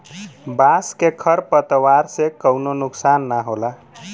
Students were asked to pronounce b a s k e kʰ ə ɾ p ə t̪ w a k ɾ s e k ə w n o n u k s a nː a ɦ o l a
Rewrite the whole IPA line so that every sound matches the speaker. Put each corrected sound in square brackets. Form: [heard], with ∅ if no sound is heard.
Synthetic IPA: b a s k e kʰ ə ɾ p ə t̪ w a [∅] ɾ s e k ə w n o n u k s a nː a ɦ o l a

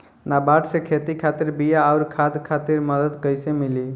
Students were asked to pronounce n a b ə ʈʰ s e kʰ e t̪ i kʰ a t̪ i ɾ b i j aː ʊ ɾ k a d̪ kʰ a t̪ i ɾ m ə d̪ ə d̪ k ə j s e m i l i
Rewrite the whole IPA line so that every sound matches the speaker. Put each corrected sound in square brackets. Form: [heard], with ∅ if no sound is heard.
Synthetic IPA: n a b [a] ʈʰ s e kʰ e t̪ i kʰ a t̪ i ɾ b i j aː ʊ ɾ [kʰ] a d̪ kʰ a t̪ i ɾ m ə d̪ ə d̪ k ə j s e m i l i

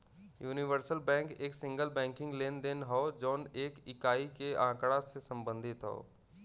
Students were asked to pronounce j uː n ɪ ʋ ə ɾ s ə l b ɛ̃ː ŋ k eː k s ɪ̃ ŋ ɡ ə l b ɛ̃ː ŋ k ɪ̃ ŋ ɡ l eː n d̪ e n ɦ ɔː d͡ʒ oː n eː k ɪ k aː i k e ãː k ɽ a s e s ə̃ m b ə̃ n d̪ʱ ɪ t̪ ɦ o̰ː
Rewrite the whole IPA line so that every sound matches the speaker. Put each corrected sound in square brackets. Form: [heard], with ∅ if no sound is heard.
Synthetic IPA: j uː n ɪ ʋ ə ɾ s ə l b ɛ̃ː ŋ k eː k s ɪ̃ ŋ ɡ ə l b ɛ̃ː ŋ k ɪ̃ ŋ ɡ l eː n d̪ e n ɦ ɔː d͡ʒ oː n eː k ɪ k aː i k e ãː k ɽ a s e s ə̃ m b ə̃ n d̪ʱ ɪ t̪ ɦ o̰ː

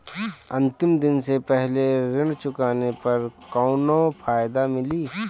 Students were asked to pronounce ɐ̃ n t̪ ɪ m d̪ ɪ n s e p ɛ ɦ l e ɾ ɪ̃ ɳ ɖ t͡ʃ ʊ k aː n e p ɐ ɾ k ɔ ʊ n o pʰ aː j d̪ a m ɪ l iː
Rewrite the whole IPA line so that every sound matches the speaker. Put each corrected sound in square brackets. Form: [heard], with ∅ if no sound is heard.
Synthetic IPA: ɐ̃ n t̪ ɪ m d̪ ɪ n s e p ɛ ɦ l e ɾ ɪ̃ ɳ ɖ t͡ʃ ʊ k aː n e p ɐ ɾ k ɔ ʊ n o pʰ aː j d̪ a m ɪ l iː

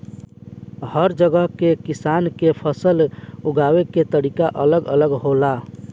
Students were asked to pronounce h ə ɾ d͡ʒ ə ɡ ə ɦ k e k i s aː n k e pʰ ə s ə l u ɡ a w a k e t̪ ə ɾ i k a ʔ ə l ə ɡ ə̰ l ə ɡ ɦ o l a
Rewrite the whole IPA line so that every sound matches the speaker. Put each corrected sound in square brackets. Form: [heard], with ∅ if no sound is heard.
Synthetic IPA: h ə ɾ d͡ʒ ə ɡ ə ɦ k e k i s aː n k e pʰ ə s ə l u ɡ a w [e] k e t̪ ə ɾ i k a ʔ ə l ə ɡ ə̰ l ə ɡ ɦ o l a

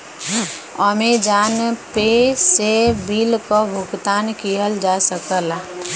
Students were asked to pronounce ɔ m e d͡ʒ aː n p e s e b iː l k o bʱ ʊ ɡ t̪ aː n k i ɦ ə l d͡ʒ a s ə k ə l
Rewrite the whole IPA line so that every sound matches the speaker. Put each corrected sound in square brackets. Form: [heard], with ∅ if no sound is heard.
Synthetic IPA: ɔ m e d͡ʒ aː n p e s e b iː l k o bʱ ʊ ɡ t̪ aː n k i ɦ ə l d͡ʒ a s ə k ə l

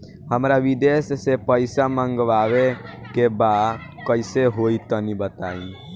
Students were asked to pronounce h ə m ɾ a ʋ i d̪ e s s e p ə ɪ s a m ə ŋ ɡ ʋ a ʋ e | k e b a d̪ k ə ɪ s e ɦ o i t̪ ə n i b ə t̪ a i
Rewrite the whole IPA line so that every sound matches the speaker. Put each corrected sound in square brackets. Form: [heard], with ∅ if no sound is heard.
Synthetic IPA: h ə m ɾ a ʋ i d̪ e s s e p ə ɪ s a m ə ŋ ɡ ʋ a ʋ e | k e b a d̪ k ə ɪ s e ɦ o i t̪ ə n i b ə t̪ a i

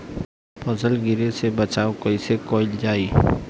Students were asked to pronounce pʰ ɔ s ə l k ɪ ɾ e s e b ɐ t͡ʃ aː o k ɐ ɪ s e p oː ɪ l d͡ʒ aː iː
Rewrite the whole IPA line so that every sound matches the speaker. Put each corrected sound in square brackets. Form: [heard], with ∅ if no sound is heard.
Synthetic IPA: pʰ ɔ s ə l [ɡ] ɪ ɾ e s e b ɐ t͡ʃ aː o k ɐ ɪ s e [k] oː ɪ l d͡ʒ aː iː

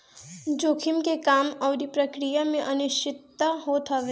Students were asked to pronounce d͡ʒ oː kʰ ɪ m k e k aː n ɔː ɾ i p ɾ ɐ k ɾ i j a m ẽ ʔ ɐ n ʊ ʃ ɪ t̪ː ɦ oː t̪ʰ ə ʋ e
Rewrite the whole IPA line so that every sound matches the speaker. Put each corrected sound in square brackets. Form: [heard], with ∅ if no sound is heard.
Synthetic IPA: d͡ʒ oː kʰ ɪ m k e k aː [m] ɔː ɾ i p ɾ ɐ k ɾ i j a m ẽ ʔ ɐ n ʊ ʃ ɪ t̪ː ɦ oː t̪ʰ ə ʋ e

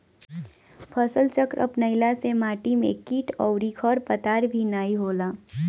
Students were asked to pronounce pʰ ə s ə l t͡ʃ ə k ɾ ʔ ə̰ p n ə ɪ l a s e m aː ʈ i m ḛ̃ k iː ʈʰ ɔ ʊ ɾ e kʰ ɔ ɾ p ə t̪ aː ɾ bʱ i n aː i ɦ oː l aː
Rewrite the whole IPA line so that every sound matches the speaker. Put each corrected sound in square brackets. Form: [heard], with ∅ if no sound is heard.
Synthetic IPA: pʰ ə s ə l t͡ʃ ə k ɾ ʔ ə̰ p n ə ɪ l a s e m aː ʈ i m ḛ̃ k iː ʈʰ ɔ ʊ ɾ [i] kʰ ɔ ɾ p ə t̪ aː ɾ bʱ i n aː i ɦ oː l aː

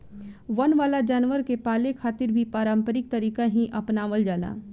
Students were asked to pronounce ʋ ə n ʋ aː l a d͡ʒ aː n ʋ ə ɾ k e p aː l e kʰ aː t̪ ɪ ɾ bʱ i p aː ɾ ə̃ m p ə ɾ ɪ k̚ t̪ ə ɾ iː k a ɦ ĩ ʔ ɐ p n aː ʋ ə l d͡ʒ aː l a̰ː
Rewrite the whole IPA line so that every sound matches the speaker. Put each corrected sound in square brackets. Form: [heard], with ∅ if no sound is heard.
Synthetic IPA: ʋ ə n ʋ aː l a d͡ʒ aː n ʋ ə ɾ k e p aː l e kʰ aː t̪ ɪ ɾ bʱ i p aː ɾ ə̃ m p ə ɾ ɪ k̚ t̪ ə ɾ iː k a ɦ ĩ ʔ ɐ p n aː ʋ ə l d͡ʒ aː l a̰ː

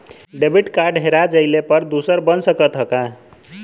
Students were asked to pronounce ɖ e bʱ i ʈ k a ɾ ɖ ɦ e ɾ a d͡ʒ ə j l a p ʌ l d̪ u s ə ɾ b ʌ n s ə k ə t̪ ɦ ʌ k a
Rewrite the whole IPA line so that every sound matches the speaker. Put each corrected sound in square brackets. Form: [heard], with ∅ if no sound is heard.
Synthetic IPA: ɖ e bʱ i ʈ k a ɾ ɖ ɦ e ɾ a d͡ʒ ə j l [e] p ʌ [ɾ] d̪ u s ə ɾ b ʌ n s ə k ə t̪ ɦ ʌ k a

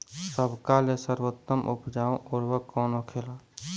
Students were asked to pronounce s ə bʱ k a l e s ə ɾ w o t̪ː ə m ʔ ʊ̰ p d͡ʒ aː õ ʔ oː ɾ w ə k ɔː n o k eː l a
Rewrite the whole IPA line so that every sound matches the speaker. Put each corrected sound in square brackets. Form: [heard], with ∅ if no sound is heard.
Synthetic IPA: s ə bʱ k a l e s ə ɾ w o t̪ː ə m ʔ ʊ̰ p d͡ʒ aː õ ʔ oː ɾ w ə k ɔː n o [kʰ] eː l a

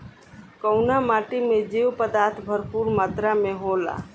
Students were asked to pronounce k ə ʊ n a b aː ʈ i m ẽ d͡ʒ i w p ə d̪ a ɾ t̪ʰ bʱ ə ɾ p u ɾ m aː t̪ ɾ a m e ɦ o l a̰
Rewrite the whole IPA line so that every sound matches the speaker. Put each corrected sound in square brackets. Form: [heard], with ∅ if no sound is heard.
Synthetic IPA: k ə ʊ n a [m] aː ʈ i m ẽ d͡ʒ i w p ə d̪ a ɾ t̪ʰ bʱ ə ɾ p u ɾ m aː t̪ ɾ a m e ɦ o l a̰

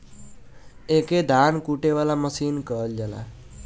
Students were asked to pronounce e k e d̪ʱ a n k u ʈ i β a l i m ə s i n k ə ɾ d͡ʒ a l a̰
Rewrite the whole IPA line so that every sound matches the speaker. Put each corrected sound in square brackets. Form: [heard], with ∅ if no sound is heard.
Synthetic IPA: e k e d̪ʱ a n k u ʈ [e] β a l [a] m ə s i n k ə [l] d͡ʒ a l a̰

